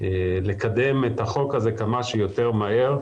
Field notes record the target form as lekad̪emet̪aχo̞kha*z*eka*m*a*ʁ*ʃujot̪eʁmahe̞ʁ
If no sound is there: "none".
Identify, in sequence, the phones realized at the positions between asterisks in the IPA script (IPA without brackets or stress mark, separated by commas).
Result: z, m, none